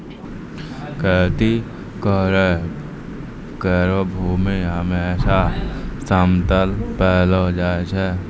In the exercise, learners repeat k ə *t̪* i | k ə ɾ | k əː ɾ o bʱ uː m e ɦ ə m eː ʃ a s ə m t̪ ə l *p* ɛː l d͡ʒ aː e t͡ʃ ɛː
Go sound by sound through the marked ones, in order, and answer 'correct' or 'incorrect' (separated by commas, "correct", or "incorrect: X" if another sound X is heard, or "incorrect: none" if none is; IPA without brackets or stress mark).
correct, correct